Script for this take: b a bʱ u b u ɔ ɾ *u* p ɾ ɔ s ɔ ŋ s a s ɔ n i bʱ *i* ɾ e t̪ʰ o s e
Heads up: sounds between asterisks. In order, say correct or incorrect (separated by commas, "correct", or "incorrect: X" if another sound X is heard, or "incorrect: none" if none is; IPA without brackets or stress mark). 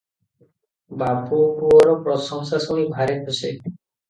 incorrect: ɔ, incorrect: a